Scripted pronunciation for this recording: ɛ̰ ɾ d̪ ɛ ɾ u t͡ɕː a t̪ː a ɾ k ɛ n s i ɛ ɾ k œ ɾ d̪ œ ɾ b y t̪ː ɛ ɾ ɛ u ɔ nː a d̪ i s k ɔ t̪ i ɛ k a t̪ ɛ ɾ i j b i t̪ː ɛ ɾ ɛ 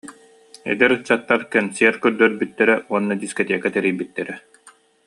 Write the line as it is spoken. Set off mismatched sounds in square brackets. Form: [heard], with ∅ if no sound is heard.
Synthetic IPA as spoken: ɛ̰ [∅] d̪ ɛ ɾ [ɯ] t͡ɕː a t̪ː a ɾ k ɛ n s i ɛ ɾ k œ ɾ d̪ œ ɾ b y t̪ː ɛ ɾ ɛ u ɔ nː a d̪ i s k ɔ t̪ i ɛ k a t̪ ɛ ɾ i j b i t̪ː ɛ ɾ ɛ